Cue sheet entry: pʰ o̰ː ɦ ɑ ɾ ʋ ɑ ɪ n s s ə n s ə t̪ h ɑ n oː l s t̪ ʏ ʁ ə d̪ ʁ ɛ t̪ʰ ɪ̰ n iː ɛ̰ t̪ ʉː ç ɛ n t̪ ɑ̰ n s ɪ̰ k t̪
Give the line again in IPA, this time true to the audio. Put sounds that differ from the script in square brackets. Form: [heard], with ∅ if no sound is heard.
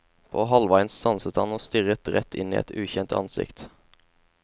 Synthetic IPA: pʰ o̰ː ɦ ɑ [l] ʋ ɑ ɪ n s s [ɑ] n s ə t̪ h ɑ n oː [∅] s t̪ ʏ ʁ ə [t̪] ʁ ɛ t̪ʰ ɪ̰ n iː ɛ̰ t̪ ʉː ç ɛ n t̪ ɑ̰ n s ɪ̰ k t̪